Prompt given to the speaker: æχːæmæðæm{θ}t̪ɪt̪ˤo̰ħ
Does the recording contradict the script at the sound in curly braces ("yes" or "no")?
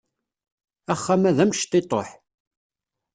yes